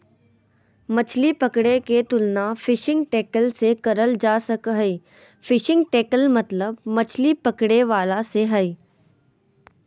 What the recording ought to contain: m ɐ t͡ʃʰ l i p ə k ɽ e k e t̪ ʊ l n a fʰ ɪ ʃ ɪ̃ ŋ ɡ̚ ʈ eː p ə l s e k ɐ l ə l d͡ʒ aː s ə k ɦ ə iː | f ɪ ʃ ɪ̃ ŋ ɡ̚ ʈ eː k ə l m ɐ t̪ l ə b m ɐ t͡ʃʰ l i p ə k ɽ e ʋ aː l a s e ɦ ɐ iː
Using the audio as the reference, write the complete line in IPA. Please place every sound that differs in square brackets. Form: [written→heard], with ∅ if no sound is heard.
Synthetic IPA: m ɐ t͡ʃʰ l i p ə k ɽ e k e t̪ ʊ l n a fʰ ɪ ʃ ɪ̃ ŋ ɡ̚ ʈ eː [p→k] ə l s e k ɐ [l→ɾ] ə l d͡ʒ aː s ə k ɦ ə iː | f ɪ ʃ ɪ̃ ŋ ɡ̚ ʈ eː k ə l m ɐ t̪ l ə b m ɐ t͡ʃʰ l i p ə k ɽ e ʋ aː l a s e ɦ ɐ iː